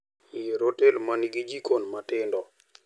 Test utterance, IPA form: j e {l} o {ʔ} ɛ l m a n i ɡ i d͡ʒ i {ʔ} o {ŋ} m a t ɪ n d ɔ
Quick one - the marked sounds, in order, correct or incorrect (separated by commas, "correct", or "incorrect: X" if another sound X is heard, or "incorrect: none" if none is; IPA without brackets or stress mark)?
incorrect: ɾ, incorrect: t, incorrect: k, incorrect: n